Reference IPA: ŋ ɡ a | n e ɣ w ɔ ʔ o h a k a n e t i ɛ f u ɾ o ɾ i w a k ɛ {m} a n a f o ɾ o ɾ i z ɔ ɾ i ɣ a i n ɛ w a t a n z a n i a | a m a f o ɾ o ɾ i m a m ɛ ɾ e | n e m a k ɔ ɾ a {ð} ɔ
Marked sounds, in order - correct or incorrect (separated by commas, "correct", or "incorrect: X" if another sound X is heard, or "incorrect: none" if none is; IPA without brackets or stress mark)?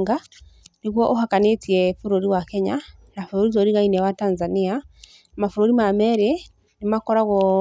incorrect: ɲ, incorrect: ɣ